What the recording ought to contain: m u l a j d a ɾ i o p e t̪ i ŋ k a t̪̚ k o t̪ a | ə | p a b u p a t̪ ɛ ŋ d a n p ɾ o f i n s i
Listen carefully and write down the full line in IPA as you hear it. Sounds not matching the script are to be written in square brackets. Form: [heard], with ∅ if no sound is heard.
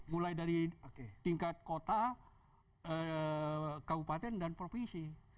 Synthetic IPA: m u l a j d a ɾ i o [k] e t̪ i ŋ k a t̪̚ k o t̪ a | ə | [k] a b u p a t̪ ɛ [n] d a n p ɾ o f i n s i

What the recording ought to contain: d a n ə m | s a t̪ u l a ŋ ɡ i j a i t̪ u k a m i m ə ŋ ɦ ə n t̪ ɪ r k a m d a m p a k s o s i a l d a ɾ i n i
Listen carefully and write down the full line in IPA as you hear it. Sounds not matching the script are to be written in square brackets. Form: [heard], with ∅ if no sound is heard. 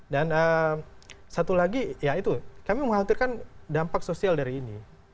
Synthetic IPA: d a n ə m | s a t̪ u l a [∅] ɡ i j a i t̪ u k a m i m ə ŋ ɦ [a] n t̪ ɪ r k a [n] d a m p a k s o s i a l d a ɾ [iː] n i

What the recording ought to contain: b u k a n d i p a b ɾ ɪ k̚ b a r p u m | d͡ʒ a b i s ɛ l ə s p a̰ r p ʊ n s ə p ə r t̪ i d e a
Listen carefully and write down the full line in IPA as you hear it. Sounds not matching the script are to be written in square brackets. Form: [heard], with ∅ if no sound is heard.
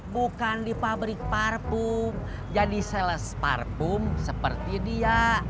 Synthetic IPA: b u k a n d i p a b ɾ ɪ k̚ [p] a r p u m | d͡ʒ a [d] i s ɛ l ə s p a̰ r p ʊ [m] s ə p ə r t̪ i d [i] a

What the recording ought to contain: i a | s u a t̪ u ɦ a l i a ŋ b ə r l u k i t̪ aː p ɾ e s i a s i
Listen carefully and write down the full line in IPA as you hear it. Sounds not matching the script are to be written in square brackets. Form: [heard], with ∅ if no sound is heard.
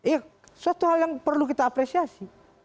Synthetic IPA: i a | s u a t̪ u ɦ a l [j] a ŋ [p] ə r l u k i t̪ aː p ɾ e s i a s i

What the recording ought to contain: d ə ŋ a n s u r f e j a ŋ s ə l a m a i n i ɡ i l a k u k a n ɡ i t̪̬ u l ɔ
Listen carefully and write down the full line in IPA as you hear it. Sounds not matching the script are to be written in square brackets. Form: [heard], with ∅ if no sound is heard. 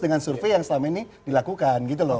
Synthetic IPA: d ə ŋ a n s u r f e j a ŋ s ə l a m a i n i [d] i l a k u k a n ɡ i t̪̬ u l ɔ

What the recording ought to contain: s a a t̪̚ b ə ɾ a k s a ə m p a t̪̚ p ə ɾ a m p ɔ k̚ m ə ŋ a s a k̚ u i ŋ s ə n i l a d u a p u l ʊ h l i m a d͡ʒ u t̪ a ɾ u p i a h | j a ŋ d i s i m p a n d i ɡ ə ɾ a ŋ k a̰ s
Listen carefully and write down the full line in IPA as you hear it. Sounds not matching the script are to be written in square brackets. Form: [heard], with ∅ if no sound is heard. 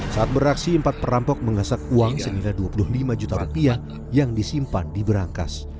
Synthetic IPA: s a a t̪̚ b ə ɾ a k s [i] ə m p a t̪̚ p ə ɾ a m p ɔ k̚ m ə ŋ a s a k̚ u [a] ŋ s ə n i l a d u a p u l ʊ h l i m a d͡ʒ u t̪ a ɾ u p i a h | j a ŋ d i s i m p a n d i [b] ə ɾ a ŋ k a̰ s

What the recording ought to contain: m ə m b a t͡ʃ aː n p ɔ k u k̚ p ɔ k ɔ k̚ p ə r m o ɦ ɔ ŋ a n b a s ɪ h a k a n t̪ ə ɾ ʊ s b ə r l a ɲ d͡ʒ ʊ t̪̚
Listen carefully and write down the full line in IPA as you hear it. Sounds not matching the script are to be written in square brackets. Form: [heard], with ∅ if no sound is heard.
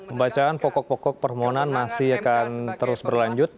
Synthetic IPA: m ə m b a t͡ʃ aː n p ɔ k [ɔ] k̚ p ɔ k ɔ k̚ p ə r m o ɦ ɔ [n] a n [m] a s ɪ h a k a n t̪ ə ɾ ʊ s b ə r l a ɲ d͡ʒ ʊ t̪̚

